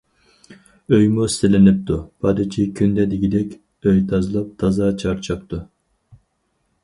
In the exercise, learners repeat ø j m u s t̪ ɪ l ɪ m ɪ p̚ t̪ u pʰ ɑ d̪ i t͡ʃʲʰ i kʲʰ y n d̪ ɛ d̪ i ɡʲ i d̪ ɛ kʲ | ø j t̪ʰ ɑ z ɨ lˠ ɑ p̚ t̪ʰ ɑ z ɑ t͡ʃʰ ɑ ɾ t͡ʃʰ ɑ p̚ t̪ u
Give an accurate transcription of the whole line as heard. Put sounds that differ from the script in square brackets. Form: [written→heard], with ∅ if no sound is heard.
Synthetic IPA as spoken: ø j m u s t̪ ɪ l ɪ [m→n] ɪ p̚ t̪ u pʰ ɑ d̪ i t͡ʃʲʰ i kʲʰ y n d̪ ɛ d̪ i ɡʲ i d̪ ɛ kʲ | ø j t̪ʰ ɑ z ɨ lˠ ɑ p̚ t̪ʰ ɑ z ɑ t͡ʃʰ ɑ ɾ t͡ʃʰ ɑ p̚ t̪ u